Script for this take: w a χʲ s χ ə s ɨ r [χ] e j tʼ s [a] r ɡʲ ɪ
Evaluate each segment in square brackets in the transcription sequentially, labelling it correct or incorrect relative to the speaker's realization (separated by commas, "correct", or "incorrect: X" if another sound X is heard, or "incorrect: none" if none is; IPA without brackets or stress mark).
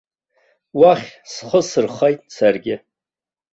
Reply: correct, correct